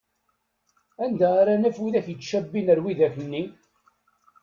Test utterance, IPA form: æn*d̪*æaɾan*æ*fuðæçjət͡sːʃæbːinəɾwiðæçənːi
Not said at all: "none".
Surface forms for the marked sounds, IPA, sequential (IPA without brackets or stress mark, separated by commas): d̪, æ